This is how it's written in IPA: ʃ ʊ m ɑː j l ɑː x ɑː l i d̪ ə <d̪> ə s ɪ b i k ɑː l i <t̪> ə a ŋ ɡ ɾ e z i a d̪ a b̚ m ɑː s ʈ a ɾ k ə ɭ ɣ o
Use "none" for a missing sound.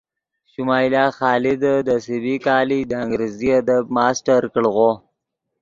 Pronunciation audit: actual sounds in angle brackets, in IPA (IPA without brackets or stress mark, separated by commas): d̪, d̪